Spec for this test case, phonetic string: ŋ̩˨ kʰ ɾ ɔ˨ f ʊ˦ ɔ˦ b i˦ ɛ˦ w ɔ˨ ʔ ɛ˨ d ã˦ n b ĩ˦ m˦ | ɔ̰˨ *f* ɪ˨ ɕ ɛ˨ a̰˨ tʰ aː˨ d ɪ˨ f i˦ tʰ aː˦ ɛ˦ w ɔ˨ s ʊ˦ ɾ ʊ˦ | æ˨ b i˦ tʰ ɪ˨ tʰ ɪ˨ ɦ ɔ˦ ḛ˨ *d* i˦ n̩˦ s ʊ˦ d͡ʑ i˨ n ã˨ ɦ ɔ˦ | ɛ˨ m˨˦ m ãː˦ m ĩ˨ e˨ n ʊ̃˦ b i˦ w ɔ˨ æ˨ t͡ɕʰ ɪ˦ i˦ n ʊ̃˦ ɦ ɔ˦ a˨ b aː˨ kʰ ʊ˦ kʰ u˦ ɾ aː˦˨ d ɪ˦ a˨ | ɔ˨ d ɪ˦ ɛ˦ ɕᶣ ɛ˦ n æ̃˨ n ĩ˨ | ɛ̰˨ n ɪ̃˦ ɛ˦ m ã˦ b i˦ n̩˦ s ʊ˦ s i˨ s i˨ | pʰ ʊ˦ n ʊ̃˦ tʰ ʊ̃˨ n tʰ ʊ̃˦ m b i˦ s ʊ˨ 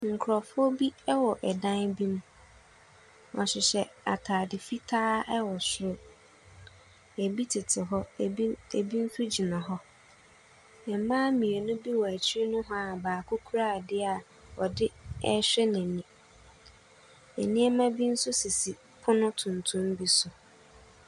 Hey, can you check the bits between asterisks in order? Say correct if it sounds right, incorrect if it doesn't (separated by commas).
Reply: incorrect, incorrect